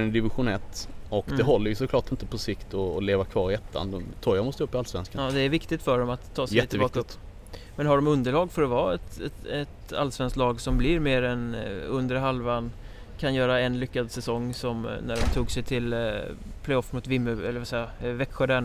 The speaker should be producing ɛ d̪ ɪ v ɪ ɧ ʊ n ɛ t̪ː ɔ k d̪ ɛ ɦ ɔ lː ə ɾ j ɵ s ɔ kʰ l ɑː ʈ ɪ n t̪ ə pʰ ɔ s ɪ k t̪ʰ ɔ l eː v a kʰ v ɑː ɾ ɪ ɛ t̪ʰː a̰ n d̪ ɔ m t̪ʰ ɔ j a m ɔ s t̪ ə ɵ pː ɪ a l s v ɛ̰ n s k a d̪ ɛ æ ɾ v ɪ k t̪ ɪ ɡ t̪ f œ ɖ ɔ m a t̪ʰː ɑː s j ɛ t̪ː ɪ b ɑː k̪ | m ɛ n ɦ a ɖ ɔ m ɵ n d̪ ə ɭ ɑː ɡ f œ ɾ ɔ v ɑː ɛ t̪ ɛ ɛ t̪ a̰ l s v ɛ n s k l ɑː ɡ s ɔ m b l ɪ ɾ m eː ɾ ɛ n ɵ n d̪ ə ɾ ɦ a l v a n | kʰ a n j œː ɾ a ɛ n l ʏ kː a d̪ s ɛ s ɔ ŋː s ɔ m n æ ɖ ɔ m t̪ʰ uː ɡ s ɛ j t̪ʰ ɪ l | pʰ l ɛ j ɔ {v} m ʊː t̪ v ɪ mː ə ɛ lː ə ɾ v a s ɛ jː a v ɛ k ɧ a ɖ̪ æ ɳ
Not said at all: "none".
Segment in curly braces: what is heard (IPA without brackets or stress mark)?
f